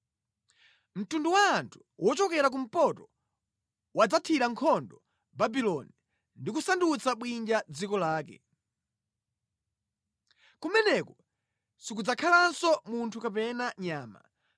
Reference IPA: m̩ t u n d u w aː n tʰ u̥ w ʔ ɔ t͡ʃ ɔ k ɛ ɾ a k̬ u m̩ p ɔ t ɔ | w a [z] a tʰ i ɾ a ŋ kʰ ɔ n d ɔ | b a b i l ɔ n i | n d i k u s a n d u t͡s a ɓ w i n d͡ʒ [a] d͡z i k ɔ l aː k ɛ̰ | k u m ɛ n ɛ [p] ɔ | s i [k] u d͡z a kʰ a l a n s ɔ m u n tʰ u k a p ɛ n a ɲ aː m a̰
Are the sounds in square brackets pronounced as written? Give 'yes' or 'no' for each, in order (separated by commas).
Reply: no, yes, no, yes